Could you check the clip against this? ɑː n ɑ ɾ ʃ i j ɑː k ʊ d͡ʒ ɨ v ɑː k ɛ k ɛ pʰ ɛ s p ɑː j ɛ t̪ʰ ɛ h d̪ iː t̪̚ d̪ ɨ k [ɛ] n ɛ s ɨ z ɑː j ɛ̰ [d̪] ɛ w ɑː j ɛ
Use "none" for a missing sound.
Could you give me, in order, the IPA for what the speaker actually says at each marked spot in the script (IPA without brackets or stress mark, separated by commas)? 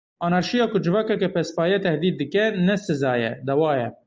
ɛ, d̪